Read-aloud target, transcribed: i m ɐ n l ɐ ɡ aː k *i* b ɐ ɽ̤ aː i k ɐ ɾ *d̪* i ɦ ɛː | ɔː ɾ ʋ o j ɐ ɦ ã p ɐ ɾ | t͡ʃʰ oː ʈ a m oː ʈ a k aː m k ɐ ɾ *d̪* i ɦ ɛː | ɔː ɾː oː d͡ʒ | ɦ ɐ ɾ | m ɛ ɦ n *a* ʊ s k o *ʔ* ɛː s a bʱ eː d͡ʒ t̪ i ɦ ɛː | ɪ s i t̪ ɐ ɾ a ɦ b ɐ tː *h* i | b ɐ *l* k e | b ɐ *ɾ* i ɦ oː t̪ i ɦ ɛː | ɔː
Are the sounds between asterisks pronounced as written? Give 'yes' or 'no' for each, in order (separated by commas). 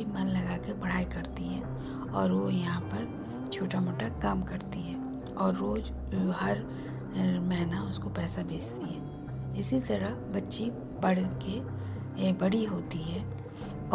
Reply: no, no, no, yes, no, no, no, no